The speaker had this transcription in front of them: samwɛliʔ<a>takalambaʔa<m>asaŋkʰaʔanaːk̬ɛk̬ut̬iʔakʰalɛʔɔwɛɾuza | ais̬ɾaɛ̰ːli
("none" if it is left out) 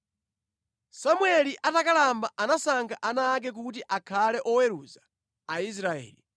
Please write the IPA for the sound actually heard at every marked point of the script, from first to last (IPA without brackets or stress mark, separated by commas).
a, n